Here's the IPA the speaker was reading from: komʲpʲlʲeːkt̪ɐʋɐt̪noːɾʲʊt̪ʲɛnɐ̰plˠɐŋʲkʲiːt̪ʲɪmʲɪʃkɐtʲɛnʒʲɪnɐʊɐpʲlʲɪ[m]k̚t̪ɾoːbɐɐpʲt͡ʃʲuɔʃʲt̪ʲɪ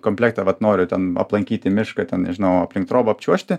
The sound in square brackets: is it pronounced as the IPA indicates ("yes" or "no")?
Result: no